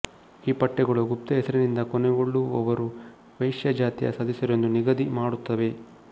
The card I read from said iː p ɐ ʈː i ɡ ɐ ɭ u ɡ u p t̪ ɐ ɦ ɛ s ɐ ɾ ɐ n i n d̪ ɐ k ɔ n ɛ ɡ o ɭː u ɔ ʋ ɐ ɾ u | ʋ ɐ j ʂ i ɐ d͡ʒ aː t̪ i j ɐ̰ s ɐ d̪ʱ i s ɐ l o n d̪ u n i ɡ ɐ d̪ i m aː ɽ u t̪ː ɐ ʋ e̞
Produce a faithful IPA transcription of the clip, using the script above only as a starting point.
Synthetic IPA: iː p ɐ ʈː ɛ ɡ ɐ ɭ u ɡ u p t̪ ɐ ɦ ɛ s ɐ ɾ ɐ n i n d̪ ɐ k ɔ n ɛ ɡ o ɭː u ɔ ʋ ɐ ɾ u | ʋ ɐ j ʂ j ɐ d͡ʒ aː t̪ i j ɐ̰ s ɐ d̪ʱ i s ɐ ɾ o n d̪ u n i ɡ ɐ d̪ i m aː ɽ u t̪ː ɐ ʋ e̞